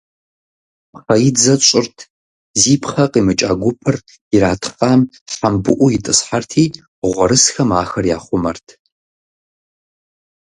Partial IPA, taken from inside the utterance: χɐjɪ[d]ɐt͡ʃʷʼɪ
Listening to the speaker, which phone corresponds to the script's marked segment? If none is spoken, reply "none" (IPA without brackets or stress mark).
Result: d͡z